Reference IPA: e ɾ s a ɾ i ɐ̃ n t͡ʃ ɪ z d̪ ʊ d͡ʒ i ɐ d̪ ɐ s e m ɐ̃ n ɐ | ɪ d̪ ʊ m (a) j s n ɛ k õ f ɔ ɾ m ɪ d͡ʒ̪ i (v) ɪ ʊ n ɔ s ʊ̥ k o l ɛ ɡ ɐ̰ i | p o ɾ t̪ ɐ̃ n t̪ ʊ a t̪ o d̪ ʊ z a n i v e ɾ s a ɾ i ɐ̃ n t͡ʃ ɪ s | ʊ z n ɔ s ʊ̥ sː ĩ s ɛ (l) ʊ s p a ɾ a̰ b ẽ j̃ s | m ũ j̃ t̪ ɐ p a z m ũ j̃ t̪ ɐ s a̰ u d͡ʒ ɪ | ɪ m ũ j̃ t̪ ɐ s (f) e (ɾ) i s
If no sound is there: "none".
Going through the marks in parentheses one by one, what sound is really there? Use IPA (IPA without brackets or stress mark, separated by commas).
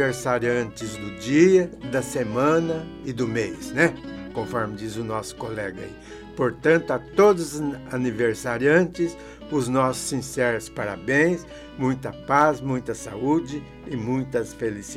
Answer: e, z, ɾ, f, l